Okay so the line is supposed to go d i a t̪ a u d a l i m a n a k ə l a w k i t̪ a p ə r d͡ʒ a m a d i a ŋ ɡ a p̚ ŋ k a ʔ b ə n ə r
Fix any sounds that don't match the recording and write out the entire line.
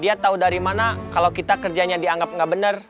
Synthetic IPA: d i a t̪ a u d a ɾ i m a n a k a l a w k i t̪ a k ə r d͡ʒ a ɲ a d i a ŋ ɡ a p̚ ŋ ɡ a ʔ b ə n ə r